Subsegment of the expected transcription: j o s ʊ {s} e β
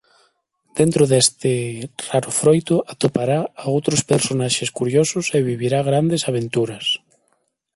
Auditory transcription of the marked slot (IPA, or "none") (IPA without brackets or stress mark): s